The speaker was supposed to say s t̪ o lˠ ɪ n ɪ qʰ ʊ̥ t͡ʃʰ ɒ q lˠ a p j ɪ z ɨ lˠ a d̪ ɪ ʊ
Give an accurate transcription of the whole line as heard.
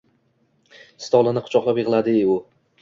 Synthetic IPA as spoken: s t̪ ɒ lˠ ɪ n ɪ qʰ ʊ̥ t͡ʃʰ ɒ q lˠ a p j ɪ ʁ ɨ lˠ a d̪ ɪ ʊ